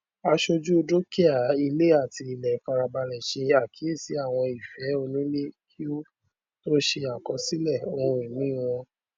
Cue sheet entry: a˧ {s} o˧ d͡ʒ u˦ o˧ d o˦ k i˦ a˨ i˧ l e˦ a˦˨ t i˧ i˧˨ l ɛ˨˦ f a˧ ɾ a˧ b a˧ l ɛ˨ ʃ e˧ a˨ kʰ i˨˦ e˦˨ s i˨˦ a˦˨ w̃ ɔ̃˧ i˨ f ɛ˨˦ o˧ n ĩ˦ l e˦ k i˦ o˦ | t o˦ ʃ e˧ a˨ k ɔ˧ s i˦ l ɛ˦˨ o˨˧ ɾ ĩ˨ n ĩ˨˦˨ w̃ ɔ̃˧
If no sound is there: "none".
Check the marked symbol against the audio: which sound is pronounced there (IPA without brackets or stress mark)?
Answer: ʃ